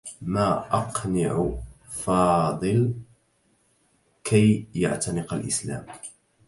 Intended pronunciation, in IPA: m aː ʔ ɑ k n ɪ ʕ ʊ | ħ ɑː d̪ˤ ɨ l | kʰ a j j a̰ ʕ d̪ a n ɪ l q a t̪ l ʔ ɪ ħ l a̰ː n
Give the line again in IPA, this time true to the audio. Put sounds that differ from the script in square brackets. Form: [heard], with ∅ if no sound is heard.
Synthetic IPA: m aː ʔ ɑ [q] n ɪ ʕ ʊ | [f] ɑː d̪ˤ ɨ l | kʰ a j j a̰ ʕ [t̪] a n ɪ [∅] q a [∅] l ʔ ɪ [s] l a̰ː [m]